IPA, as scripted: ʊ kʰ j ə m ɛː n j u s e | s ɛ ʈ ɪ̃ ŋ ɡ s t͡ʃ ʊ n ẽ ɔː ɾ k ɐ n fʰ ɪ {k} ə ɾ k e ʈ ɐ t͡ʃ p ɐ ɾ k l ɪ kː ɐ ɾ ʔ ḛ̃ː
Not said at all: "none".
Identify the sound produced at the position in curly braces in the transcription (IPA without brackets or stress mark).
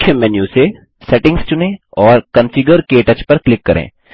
ɡ